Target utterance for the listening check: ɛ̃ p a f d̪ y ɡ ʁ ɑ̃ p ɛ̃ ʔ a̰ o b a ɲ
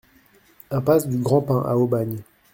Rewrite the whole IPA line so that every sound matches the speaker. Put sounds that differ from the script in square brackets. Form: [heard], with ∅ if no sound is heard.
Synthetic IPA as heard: ɛ̃ p a [s] d̪ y ɡ ʁ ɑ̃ p ɛ̃ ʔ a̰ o b a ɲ